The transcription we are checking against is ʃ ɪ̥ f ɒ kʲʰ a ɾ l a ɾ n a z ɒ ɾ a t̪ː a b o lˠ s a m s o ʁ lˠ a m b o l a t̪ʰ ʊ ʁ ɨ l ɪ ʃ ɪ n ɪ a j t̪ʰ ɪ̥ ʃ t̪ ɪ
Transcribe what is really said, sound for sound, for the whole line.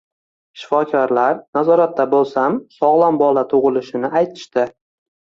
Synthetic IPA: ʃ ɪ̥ f ɒ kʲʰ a ɾ l a ɾ n a z ɒ ɾ a t̪ː a b o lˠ s a m s ɒ ʁ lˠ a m b ɒ l a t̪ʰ ʊ ʁ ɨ l ɪ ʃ ɪ n ɪ a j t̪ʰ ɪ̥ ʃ t̪ ɪ

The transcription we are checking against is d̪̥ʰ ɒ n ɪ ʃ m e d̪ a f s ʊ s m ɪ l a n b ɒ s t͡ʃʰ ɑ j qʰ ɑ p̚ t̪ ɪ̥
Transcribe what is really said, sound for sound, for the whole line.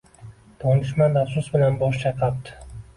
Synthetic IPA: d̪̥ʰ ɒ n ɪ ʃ m a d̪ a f s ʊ s b ɪ l a n b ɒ ʃ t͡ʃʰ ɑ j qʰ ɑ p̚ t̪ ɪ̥

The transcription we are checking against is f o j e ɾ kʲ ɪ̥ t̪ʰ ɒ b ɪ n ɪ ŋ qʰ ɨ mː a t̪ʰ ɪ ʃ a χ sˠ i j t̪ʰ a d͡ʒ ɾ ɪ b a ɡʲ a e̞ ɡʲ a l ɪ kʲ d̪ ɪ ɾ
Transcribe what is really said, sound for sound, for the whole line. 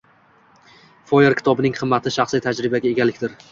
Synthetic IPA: f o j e ɾ kʲ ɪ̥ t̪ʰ ɒ b ɪ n ɪ ŋ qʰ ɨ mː a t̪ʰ ɪ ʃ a χ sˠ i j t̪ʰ a d͡ʒ ɾ ɪ b a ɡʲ a e̞ ɡʲ a l ɪ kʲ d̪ ɪ ɾ

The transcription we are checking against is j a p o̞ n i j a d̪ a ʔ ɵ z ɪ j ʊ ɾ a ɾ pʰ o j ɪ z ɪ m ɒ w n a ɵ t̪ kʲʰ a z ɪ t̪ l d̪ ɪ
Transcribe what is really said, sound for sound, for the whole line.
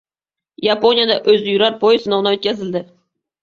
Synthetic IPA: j a p o̞ n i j a d̪ a ʔ ɵ z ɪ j ʊ ɾ a ɾ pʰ o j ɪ s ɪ n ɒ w n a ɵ t̪ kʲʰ a z ɪ l d̪ ɪ

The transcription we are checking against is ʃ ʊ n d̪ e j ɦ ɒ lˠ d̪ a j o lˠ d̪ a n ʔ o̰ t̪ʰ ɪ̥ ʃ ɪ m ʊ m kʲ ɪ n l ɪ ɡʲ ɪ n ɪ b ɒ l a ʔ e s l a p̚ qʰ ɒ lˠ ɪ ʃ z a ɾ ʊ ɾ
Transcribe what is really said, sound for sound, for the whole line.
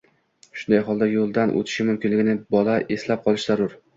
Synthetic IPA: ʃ ʊ n d̪ a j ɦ ɒ lˠ d̪ a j o lˠ d̪ a n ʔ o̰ t̪ʰ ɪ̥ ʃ ɪ m ʊ m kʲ ɪ n l ɪ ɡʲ ɪ n ɪ b ɒ l a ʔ e s l a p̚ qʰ ɒ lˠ ɪ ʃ z a ɾ ʊ ɾ

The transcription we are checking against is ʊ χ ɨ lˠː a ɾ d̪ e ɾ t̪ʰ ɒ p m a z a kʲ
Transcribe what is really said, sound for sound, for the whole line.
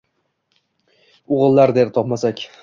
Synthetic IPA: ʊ ʁ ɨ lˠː a ɾ d̪ e ɾ t̪ʰ ɒ p m a s a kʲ

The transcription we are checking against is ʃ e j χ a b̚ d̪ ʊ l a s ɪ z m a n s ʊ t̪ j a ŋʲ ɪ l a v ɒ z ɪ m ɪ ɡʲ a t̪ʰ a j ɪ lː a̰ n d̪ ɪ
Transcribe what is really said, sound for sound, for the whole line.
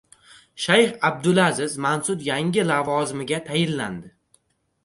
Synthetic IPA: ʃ a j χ a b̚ d̪ ʊ l a z ɪ z m a n s ʊ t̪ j a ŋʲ ɪ l a v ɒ z ɪ m ɪ ɡʲ a t̪ʰ a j ɪ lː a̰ n d̪ ɪ

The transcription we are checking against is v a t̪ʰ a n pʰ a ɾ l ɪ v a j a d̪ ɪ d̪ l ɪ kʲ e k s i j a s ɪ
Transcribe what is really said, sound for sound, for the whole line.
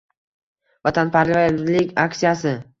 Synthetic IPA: v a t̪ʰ a n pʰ a ɾ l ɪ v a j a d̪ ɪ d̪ l ɪ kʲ a k s i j a s ɪ

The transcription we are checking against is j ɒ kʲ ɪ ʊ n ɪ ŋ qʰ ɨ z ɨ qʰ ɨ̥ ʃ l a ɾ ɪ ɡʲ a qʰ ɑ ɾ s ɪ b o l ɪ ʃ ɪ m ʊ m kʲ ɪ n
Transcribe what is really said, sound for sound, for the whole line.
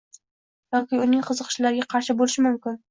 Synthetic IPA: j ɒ kʲ ɪ ʊ n ɪ ŋ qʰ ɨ z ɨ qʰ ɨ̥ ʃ l a ɾ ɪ ɡʲ a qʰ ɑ ɾ ʃ ɪ b o l ɪ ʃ ɪ m ʊ m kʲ ɪ n

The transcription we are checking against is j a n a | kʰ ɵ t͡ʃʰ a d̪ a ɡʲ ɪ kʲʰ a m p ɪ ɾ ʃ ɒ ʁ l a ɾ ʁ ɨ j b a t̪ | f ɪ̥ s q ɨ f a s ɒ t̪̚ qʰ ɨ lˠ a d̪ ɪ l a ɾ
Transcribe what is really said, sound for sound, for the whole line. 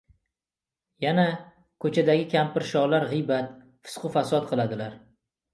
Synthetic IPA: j a n a | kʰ ɵ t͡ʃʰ a d̪ a ɡʲ ɪ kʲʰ a m p ɪ ɾ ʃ ɒ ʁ l a ɾ ʁ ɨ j b a t̪ | f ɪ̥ s q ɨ f a s ɒ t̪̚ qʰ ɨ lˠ a d̪ ɪ l a ɾ

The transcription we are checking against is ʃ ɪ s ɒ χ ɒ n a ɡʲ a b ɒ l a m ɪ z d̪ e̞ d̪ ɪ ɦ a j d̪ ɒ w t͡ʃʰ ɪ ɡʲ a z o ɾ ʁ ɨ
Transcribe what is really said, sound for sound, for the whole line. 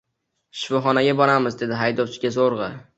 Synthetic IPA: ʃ ɪ f ɒ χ ɒ n a ɡʲ a b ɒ ɾ a m ɪ z d̪ e̞ d̪ ɪ ɦ a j d̪ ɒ w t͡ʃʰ ɪ ɡʲ a z o ɾ ʁ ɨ

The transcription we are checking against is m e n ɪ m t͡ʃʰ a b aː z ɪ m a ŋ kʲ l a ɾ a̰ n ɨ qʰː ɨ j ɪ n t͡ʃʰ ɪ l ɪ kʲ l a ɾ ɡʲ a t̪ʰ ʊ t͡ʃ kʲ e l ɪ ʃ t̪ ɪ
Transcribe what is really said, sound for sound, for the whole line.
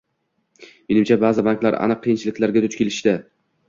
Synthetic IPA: m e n ɪ m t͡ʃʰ a b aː z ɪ b a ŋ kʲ l a ɾ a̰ n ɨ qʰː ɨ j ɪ n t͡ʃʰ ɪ l ɪ kʲ l a ɾ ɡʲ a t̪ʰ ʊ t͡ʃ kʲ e l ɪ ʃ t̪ ɪ

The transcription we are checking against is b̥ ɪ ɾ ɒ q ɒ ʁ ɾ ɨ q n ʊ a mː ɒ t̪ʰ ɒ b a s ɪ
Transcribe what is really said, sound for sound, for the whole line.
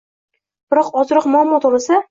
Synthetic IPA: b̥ ɪ ɾ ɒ q ɒ z ɾ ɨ q m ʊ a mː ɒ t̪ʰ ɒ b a s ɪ

